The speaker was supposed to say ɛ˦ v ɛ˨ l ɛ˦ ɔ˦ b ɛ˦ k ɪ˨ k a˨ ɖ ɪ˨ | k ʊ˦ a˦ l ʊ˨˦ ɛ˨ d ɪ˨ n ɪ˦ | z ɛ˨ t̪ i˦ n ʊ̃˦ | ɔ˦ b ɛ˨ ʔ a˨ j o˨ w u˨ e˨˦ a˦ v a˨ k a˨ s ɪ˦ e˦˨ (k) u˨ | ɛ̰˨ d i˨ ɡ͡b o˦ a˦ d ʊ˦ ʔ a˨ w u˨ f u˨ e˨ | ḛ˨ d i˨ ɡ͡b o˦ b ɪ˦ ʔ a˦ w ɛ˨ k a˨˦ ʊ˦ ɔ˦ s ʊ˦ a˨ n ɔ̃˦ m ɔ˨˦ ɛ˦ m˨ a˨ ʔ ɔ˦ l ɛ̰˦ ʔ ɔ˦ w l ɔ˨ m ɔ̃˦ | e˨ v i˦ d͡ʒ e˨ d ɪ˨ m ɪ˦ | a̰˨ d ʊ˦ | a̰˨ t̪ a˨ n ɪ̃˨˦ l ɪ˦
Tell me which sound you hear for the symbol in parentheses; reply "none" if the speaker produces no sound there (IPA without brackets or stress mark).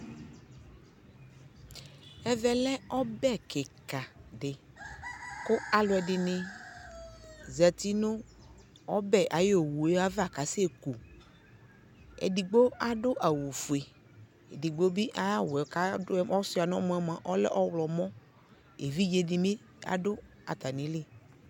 k